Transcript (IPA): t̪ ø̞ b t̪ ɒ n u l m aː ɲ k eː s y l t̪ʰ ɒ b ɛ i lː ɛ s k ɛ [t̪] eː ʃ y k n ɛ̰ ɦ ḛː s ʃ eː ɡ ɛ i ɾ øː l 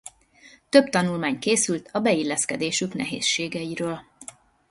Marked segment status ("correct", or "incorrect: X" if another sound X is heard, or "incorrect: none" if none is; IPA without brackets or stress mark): incorrect: d̪